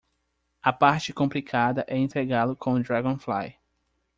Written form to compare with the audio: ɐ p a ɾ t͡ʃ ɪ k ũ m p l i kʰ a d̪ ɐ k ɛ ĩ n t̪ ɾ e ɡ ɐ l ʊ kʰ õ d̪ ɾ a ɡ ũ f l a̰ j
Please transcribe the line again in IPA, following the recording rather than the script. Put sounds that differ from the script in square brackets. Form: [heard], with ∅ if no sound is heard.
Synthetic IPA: ɐ p a ɾ t͡ʃ ɪ k [õ] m p l i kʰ a d̪ ɐ [ʔ] ɛ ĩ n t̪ ɾ e ɡ [a] l ʊ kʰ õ d̪ ɾ a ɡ [õ] f l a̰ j